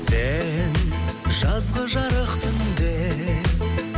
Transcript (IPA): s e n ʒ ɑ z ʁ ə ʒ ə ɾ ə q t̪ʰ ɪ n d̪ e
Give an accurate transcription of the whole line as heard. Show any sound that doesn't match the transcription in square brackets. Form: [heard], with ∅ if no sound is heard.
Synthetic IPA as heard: s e n ʒ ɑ z ʁ ə ʒ [ɑ] ɾ ə q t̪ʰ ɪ n d̪ e